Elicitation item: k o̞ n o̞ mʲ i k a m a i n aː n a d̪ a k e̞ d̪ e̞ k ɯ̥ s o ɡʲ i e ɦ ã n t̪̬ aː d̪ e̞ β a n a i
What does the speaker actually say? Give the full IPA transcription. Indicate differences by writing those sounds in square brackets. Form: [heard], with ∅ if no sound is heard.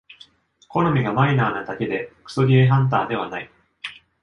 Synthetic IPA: k o̞ n o̞ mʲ i [ɡ] a m a i n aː n a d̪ a k e̞ d̪ e̞ k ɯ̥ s o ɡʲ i e ɦ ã n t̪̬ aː d̪ e̞ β a n a i

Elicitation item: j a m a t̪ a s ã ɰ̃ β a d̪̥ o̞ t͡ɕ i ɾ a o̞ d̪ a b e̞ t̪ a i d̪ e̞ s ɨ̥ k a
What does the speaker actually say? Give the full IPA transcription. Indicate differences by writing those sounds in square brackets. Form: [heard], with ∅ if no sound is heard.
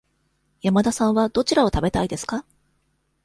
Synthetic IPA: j a m a [d̪] a s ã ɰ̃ β a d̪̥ o̞ t͡ɕ i ɾ a o̞ [t̪] a b e̞ t̪ a i d̪ e̞ s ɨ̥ k a

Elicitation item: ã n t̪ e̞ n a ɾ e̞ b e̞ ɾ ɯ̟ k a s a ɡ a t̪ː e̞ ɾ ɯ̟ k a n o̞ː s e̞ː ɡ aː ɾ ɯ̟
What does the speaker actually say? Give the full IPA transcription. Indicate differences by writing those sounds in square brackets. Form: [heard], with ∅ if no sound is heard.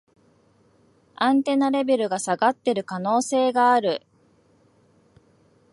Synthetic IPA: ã n t̪ e̞ n a ɾ e̞ b e̞ ɾ ɯ̟ [ɡ] a s a ɡ a t̪ː e̞ ɾ ɯ̟ k a n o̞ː s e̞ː ɡ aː ɾ ɯ̟

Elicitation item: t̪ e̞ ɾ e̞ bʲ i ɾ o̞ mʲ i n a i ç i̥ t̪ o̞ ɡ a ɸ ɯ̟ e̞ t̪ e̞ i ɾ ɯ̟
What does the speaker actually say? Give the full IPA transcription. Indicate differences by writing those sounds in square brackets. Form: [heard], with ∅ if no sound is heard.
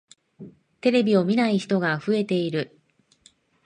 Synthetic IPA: t̪ e̞ ɾ e̞ bʲ i [∅] o̞ mʲ i n a i ç i̥ t̪ o̞ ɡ a ɸ ɯ̟ e̞ t̪ e̞ i ɾ ɯ̟

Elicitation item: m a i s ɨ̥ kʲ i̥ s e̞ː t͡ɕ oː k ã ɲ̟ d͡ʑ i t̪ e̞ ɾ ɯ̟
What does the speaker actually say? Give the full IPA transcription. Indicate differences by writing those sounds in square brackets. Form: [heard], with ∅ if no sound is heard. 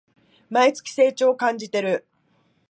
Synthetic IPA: m a i [t͡s] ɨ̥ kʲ i̥ s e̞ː t͡ɕ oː k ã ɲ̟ d͡ʑ i t̪ e̞ ɾ ɯ̟

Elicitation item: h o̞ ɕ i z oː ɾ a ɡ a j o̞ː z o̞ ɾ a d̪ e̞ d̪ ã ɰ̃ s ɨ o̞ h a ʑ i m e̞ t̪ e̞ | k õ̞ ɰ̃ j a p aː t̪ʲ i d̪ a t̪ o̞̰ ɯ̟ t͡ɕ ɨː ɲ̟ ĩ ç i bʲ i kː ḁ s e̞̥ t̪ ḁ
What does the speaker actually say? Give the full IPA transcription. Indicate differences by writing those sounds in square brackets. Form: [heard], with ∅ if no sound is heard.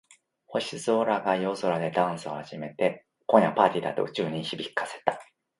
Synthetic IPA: h o̞ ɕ i z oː ɾ a ɡ a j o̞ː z o̞ ɾ a d̪ e̞ d̪ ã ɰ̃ s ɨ o̞ h a ʑ i m e̞ t̪ e̞ | k õ̞ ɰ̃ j a p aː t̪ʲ i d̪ a t̪ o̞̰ ɯ̟ t͡ɕ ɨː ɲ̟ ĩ ç i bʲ i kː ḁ s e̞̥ t̪ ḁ

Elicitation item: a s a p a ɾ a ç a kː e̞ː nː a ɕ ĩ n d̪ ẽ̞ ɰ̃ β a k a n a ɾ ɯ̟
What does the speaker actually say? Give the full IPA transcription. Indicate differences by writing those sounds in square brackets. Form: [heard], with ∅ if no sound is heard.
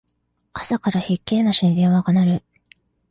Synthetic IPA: a s a [k] a ɾ a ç [i] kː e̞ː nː a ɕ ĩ n d̪ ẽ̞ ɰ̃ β a [ɡ] a n a ɾ ɯ̟

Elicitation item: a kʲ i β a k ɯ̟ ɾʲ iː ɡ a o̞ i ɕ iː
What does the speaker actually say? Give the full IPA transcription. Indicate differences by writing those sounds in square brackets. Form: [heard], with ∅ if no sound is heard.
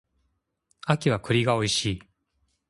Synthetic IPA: a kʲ i β a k ɯ̟ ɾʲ [i] ɡ a o̞ i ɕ iː

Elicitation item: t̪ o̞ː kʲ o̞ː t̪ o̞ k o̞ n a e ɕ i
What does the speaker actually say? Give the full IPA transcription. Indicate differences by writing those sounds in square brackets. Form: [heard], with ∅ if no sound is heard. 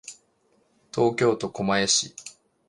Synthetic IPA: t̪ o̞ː kʲ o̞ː t̪ o̞ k o̞ [m] a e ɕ i

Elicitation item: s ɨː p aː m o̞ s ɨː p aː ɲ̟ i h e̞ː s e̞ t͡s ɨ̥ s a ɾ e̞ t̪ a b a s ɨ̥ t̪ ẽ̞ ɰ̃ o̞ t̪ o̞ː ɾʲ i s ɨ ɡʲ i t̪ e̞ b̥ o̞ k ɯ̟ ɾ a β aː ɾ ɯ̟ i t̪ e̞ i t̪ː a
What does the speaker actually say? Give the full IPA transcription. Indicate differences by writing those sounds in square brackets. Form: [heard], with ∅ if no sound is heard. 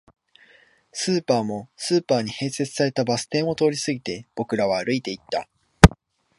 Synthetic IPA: s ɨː p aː m o̞ s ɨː p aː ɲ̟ i h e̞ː s e̞ t͡s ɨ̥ s a ɾ e̞ t̪ a b a s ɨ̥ t̪ ẽ̞ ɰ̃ o̞ t̪ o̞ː ɾʲ i s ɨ ɡʲ i t̪ e̞ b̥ o̞ k ɯ̟ ɾ a β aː ɾ ɯ̟ i t̪ e̞ i t̪ː a

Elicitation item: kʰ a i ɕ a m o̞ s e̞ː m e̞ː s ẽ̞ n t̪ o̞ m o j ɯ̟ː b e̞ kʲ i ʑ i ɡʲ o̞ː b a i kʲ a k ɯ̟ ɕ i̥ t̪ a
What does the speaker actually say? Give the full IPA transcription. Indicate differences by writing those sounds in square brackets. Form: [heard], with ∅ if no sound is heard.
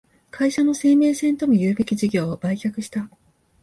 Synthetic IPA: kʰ a i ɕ a [n] o̞ s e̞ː m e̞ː s ẽ̞ n t̪ o̞ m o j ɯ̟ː b e̞ kʲ i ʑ i ɡʲ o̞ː b a i kʲ a k ɯ̟ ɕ i̥ t̪ a

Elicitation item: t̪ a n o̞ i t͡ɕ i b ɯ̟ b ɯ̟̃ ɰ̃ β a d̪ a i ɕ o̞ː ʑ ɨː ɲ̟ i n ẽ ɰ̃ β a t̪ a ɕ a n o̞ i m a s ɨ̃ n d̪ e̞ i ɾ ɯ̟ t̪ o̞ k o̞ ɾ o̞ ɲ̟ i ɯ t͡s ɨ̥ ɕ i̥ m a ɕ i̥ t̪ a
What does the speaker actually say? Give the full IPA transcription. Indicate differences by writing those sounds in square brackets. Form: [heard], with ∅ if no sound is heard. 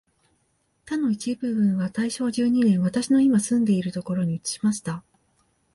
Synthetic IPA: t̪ a n o̞ i t͡ɕ i b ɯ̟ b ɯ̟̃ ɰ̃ β a [t̪] a i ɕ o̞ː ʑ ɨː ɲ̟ i n ẽ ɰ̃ β a t̪ a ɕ [i] n o̞ i m a s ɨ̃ n d̪ e̞ i ɾ ɯ̟ t̪ o̞ k o̞ ɾ o̞ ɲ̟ i ɯ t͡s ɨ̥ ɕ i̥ m a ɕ i̥ t̪ a

